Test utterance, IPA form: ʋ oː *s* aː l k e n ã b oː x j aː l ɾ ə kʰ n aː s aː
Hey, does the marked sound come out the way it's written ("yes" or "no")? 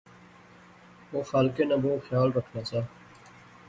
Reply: no